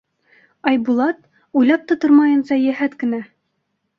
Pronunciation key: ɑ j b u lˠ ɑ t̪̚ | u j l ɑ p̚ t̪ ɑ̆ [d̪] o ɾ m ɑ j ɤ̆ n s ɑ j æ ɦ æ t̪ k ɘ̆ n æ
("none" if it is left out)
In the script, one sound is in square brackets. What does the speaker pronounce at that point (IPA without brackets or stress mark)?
t̪